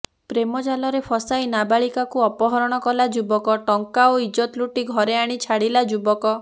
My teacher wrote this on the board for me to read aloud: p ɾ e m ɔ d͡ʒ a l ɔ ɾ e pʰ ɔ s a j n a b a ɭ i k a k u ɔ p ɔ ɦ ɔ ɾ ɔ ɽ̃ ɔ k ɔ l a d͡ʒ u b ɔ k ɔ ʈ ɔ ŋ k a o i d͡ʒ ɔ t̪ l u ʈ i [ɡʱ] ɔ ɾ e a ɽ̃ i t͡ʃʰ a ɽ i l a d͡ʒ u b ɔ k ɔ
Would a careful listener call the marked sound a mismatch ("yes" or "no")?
no